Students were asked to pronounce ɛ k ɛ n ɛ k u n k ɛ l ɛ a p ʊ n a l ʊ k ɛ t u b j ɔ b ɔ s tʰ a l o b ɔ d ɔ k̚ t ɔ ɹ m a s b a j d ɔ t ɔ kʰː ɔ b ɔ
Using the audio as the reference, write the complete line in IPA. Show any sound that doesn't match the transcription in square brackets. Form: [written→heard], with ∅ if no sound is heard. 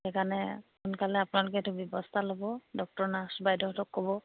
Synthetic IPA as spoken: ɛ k [ɛ→a] n ɛ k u n k [ɛ→a] l ɛ a p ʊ n a l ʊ k ɛ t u b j ɔ b ɔ s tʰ a l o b ɔ d ɔ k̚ t ɔ ɹ [m→n] a s b a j d ɔ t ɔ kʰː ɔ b ɔ